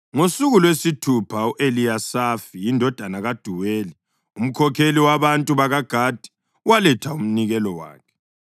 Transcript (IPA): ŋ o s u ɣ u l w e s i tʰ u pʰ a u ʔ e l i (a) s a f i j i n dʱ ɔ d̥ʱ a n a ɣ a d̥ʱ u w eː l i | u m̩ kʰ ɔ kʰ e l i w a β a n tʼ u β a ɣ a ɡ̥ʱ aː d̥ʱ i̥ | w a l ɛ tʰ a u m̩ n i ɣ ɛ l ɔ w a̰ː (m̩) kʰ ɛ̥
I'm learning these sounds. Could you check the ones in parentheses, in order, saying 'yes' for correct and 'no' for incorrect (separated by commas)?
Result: yes, no